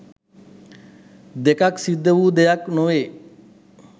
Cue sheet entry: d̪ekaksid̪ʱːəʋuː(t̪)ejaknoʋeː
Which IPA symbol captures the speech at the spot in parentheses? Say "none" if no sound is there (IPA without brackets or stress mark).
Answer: d̪